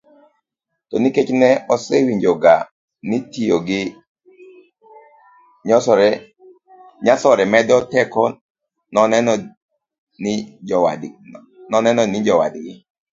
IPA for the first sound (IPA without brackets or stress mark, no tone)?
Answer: t